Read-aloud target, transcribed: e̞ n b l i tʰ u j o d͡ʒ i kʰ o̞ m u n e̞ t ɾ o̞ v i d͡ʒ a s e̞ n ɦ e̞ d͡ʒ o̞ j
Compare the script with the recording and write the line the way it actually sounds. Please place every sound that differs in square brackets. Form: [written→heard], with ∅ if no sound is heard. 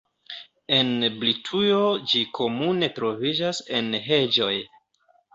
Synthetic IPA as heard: e̞ n b l i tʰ u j o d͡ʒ i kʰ o̞ m u n e̞ t ɾ o̞ v i d͡ʒ a s e̞ n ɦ e̞ d͡ʒ o̞ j